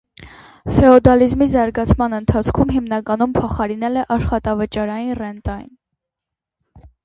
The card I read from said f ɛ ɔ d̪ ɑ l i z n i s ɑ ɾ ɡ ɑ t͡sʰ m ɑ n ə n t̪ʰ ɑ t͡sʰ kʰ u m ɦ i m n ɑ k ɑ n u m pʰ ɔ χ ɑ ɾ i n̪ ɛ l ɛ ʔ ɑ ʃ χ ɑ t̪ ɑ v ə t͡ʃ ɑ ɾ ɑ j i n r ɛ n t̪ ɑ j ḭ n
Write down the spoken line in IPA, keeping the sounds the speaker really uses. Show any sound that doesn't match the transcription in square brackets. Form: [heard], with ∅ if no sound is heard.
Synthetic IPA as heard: f ɛ ɔ d̪ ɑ l i z [m] i [z] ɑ ɾ ɡ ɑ t͡sʰ m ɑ n ə n t̪ʰ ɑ t͡sʰ kʰ u m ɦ i m n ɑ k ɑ n u m pʰ ɔ χ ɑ ɾ i n̪ ɛ l ɛ ʔ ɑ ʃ χ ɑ t̪ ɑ v ə t͡ʃ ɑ ɾ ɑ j i n r ɛ n t̪ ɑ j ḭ n